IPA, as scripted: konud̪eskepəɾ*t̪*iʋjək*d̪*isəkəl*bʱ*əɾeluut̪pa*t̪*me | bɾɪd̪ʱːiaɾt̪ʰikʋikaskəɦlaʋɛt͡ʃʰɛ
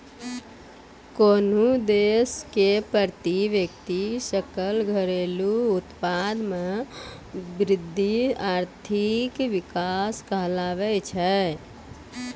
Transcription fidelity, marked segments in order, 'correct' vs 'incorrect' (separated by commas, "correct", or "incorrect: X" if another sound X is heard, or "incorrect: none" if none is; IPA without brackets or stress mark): correct, incorrect: t̪, incorrect: ɡʱ, incorrect: d̪